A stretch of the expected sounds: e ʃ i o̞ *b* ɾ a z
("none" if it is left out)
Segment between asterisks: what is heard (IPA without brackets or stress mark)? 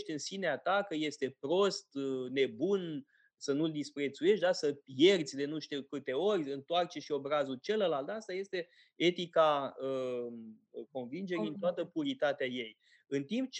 b